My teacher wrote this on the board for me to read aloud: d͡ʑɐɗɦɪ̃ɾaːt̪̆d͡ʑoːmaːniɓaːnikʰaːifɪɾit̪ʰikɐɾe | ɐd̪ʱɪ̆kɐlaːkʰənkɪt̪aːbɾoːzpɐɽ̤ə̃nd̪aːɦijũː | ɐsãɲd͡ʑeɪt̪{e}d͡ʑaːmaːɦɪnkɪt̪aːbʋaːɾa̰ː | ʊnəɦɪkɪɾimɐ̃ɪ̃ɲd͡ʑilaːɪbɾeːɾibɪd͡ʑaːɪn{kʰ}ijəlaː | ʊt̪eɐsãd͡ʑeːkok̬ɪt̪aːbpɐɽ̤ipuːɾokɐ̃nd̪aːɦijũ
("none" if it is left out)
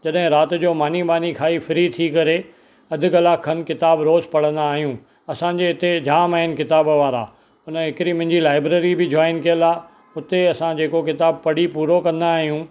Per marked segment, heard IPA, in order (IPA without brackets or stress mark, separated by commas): e, k